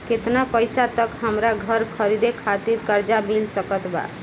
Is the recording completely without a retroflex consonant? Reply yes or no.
yes